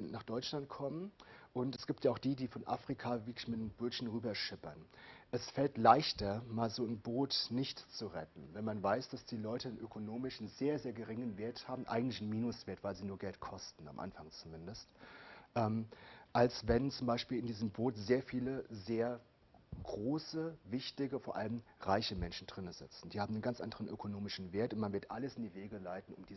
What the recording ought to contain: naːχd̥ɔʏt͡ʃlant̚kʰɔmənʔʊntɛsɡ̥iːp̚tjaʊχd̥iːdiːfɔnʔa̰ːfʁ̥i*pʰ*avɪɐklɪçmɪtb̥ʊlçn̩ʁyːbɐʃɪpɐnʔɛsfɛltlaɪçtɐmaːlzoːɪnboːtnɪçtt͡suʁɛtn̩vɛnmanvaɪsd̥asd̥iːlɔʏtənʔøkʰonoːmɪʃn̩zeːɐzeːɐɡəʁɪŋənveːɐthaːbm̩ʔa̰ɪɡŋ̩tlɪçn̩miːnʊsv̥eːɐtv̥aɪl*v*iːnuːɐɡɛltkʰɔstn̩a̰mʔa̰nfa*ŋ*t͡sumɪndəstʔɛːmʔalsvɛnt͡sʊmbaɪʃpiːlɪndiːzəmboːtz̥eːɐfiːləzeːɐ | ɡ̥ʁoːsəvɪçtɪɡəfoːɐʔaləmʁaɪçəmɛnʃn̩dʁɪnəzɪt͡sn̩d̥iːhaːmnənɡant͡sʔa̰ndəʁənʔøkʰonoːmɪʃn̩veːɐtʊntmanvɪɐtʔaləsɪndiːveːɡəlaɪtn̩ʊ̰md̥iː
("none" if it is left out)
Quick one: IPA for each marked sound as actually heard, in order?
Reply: kʰ, z, ŋ

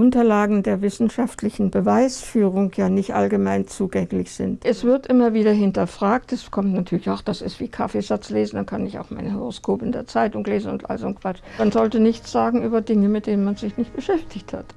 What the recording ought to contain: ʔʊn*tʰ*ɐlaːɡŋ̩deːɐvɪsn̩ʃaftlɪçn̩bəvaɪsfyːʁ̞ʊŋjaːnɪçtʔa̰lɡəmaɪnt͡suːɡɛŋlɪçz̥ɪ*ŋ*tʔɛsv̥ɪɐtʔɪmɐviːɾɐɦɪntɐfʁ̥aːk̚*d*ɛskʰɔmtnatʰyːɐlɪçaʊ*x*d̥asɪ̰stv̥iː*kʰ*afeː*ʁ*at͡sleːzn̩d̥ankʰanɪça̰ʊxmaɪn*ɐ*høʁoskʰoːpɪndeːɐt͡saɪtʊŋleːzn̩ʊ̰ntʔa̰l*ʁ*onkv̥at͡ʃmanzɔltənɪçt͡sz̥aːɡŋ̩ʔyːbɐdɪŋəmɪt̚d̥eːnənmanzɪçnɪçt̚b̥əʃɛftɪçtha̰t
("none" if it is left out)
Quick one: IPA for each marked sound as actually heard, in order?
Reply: t, n, t, x, kʰ, z, ə, z

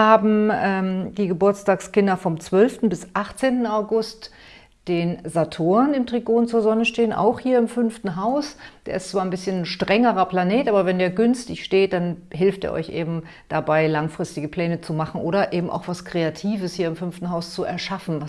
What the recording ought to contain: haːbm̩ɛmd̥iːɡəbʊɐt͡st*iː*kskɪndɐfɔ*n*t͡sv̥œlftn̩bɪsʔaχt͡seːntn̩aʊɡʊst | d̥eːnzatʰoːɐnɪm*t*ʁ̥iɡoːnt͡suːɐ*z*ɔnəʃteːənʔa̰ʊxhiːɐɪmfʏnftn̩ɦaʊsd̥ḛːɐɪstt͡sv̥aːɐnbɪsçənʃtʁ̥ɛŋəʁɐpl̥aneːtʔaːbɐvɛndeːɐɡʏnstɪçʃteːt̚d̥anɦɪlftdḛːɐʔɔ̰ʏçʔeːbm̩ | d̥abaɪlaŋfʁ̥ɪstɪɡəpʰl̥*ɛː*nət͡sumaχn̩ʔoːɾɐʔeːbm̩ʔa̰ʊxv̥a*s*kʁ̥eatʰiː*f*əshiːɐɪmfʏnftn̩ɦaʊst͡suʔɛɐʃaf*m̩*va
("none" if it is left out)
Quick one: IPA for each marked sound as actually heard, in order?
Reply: aː, m, t, z, ɛː, s, v, n̩

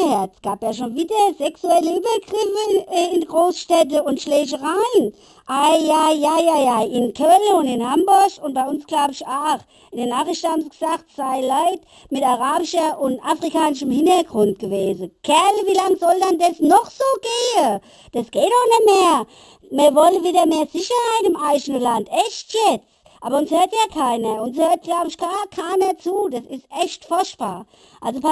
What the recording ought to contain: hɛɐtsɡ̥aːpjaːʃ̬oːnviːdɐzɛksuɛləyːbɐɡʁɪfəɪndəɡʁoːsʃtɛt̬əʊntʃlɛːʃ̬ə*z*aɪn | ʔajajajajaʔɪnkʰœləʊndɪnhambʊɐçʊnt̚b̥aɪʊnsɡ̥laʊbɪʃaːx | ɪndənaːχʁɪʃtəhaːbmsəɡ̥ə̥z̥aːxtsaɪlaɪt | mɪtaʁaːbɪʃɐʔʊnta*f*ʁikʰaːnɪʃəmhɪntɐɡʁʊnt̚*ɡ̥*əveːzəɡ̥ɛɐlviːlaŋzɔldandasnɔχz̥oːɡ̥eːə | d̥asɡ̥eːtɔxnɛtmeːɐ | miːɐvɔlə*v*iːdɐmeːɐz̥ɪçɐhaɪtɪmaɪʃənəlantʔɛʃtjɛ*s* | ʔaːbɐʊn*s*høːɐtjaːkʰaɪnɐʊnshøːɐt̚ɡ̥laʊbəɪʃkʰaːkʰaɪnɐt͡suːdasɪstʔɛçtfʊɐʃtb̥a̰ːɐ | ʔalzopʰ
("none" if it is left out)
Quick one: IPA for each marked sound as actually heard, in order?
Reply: ʁ, f, ɡ̥, v, t͡s, s

